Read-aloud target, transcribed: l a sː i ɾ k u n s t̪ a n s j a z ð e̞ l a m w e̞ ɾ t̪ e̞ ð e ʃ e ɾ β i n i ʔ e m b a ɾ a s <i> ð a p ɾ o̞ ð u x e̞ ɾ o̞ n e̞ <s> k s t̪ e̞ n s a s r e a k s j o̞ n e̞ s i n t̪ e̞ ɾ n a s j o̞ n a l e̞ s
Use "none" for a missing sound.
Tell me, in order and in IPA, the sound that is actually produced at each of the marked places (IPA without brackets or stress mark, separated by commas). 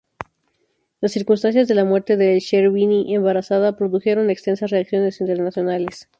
a, none